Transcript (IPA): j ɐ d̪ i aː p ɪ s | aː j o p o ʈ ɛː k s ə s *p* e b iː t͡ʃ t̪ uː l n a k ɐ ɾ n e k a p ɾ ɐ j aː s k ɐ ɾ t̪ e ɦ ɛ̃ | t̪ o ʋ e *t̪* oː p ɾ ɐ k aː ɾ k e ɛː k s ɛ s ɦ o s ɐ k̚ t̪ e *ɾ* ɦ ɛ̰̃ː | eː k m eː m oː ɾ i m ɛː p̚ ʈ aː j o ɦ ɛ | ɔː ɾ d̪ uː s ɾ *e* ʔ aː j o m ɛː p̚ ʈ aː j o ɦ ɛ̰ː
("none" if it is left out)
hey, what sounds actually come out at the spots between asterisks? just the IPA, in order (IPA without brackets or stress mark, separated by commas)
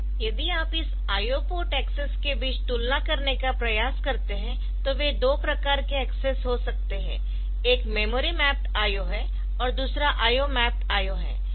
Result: k, d̪, none, a